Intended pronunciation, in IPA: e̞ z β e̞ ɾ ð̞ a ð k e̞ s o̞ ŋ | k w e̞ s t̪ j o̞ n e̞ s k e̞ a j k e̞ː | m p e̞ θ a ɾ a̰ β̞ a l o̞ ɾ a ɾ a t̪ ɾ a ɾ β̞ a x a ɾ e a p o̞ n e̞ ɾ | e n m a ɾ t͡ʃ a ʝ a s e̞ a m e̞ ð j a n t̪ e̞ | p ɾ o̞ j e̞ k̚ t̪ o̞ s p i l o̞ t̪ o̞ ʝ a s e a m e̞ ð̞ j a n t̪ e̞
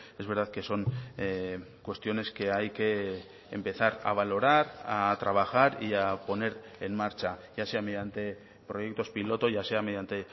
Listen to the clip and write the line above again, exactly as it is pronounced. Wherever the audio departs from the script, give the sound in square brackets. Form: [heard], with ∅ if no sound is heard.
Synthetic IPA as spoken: e̞ z β e̞ ɾ ð̞ a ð k e̞ s o̞ ŋ | k w e̞ s t̪ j o̞ n e̞ s k e̞ a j k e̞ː | m p e̞ θ a ɾ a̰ β̞ a l o̞ ɾ a ɾ a t̪ ɾ a [∅] β̞ a x a ɾ [i] a p o̞ n e̞ ɾ | e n m a ɾ t͡ʃ a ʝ a s e̞ a m e̞ ð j a n t̪ e̞ | p ɾ o̞ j e̞ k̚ t̪ o̞ s p i l o̞ t̪ o̞ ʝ a s e a m e̞ ð̞ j a n t̪ e̞